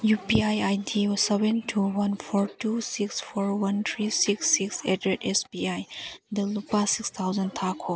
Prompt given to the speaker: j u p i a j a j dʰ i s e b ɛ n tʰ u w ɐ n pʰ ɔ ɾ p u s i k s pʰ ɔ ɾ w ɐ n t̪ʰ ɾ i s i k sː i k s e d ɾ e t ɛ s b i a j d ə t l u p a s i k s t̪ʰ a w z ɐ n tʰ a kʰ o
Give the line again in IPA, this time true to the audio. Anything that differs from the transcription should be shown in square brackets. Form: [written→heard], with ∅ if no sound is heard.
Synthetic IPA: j u p i a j a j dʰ i s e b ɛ n tʰ u w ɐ n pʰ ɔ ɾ [p→t] u s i k s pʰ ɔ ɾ w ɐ n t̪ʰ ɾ i s i k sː i k s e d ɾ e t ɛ s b i a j d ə [t→∅] l u p a s i k s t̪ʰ a w z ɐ n tʰ a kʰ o